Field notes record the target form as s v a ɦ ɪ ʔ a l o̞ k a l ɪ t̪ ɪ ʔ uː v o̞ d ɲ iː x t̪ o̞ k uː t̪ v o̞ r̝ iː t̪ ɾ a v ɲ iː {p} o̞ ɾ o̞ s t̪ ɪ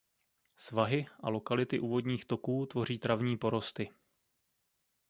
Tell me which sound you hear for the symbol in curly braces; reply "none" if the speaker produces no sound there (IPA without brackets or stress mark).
p